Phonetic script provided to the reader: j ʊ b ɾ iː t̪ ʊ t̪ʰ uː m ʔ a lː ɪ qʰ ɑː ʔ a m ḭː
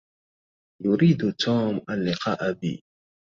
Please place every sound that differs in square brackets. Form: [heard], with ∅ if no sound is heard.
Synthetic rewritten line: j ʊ [∅] ɾ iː [d̪] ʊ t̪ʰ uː m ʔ a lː ɪ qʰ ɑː ʔ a [b] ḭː